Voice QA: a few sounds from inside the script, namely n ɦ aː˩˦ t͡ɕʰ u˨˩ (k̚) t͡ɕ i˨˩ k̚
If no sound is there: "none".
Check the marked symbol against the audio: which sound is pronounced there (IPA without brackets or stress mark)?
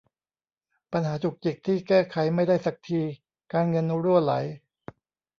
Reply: k̚